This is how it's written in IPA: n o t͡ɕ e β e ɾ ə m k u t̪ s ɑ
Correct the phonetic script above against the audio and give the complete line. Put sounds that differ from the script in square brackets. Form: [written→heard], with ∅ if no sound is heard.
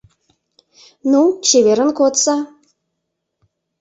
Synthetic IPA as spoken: n [o→u] t͡ɕ e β e ɾ ə [m→n] k [u→o] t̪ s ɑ